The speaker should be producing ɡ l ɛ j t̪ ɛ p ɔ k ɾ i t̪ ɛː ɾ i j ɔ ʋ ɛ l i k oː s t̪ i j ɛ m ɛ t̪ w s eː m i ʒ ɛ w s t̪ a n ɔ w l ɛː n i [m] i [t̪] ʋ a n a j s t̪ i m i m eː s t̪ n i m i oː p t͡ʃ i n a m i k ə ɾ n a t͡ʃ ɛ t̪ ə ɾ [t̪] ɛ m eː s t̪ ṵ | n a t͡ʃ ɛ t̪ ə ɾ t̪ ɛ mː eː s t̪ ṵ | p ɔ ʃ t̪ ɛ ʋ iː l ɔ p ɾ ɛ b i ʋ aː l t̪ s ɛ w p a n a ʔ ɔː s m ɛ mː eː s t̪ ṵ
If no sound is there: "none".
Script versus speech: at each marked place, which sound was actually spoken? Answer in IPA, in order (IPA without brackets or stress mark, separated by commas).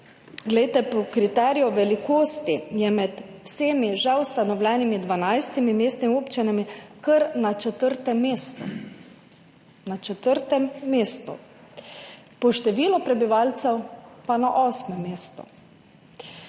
m, d̪, t̪